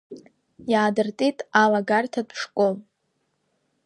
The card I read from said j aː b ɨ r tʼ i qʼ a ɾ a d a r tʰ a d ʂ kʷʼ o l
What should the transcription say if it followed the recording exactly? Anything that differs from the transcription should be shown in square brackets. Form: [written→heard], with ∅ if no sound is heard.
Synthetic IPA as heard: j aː [b→d] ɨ r tʼ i [qʼ→tʼ] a [ɾ→l] a [d→ɡ] a r tʰ a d ʂ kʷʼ o l